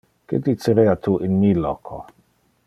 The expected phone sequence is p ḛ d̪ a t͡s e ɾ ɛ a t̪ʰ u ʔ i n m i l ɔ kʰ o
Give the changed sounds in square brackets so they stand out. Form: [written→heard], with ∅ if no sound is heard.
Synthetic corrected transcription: [p→k] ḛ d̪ [a→i] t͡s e ɾ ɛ a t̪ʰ u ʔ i n m i l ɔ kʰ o